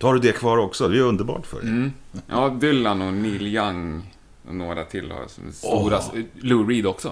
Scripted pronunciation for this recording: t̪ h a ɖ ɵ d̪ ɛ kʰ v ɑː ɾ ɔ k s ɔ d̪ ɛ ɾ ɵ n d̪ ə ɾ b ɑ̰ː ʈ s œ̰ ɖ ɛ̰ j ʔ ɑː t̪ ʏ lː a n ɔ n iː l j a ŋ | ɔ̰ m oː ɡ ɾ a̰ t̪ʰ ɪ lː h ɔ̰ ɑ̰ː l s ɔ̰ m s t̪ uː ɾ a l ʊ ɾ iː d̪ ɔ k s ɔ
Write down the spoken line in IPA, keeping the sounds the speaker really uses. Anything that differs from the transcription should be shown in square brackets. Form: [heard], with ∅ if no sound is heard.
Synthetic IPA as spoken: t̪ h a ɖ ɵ d̪ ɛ kʰ v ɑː ɾ ɔ k s ɔ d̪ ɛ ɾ ɵ n d̪ ə ɾ b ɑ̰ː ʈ [f] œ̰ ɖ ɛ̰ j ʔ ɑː [d̪] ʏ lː a n ɔ n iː l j a ŋ | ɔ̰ [n] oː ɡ ɾ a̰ t̪ʰ ɪ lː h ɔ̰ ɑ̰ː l s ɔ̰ m s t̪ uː ɾ a l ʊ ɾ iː d̪ ɔ k s ɔ